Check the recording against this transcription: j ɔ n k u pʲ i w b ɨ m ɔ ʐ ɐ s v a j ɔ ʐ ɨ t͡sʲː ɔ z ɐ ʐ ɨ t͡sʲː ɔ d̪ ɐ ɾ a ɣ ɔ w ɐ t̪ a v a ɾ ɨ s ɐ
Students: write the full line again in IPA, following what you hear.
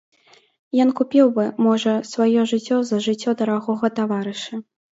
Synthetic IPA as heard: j ɔ n k u pʲ i w b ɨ m ɔ ʐ ɐ s v a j ɔ ʐ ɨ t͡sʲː ɔ z ɐ ʐ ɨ t͡sʲː ɔ d̪ ɐ ɾ a ɣ ɔ ɣ ɐ t̪ a v a ɾ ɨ ʂ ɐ